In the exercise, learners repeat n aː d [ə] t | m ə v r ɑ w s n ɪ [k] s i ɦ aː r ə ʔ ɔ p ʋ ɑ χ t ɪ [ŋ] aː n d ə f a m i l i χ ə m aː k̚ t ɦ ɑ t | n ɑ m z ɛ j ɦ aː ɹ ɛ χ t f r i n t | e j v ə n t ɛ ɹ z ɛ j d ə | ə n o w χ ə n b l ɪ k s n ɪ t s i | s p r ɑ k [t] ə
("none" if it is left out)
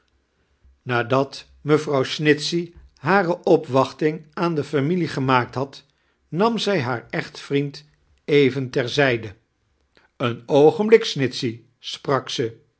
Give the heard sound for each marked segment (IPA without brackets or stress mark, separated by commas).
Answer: ɑ, t, ŋ, s